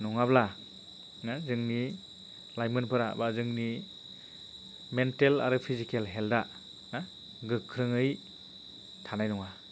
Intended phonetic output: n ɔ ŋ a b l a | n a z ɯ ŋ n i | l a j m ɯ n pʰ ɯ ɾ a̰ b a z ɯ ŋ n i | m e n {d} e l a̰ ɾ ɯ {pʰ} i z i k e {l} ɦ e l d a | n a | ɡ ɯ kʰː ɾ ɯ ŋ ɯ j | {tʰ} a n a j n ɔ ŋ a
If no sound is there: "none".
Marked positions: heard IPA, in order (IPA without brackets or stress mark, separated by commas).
t, pʰ, l, tʰ